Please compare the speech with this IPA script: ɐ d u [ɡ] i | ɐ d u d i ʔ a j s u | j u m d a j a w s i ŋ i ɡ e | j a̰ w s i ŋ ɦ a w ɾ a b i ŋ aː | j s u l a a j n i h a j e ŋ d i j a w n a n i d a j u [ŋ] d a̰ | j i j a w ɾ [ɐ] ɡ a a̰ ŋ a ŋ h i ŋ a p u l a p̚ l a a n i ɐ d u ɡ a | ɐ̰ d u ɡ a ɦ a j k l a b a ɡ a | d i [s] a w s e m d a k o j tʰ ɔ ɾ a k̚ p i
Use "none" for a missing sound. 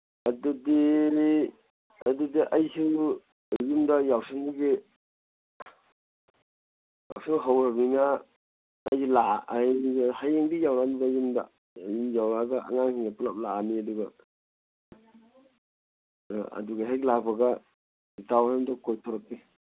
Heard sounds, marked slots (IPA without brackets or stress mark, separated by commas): d, m, a, t